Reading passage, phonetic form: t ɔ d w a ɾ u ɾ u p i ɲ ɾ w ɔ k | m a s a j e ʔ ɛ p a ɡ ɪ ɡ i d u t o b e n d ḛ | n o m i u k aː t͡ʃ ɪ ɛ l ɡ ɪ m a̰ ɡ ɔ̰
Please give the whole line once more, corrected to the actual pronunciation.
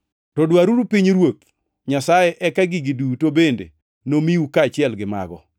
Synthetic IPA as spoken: t ɔ d w a ɾ u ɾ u p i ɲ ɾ w o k | ɲ a s a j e ʔ ɛ k a ɡ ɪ ɡ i d u t o b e n d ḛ | n o m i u k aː t͡ʃ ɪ ɛ l ɡ ɪ m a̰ ɡ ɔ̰